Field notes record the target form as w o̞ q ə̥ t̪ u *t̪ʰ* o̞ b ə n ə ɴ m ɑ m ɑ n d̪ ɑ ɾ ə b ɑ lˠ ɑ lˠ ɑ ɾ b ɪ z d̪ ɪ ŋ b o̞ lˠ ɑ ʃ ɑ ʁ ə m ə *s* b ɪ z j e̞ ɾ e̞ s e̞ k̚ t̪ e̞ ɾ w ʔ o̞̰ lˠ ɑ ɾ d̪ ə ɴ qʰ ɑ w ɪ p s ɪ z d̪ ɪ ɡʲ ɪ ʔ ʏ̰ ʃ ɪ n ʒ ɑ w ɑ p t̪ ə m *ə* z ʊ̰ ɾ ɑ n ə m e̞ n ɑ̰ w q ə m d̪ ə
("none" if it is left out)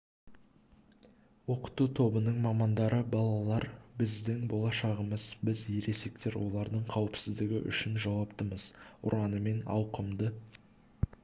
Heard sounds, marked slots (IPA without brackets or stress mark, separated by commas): t̪ʰ, z, ə